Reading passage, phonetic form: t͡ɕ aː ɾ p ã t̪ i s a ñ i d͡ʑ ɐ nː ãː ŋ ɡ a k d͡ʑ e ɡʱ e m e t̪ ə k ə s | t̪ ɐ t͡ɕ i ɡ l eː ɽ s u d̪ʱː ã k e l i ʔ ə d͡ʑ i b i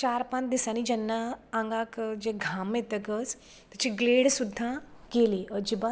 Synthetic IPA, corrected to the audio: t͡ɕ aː ɾ p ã d̪ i s a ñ i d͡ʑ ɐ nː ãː ŋ ɡ a k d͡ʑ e ɡʱ a m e t̪ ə k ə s | t̪ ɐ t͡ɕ i ɡ l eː ɽ s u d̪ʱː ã k e l i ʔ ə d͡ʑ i b a